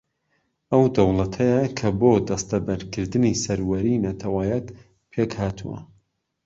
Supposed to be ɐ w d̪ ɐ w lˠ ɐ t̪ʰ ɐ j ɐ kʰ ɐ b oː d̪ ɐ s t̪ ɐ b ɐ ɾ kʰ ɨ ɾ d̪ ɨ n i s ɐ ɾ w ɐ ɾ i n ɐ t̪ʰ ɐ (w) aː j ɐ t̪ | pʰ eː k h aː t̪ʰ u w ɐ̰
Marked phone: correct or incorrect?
correct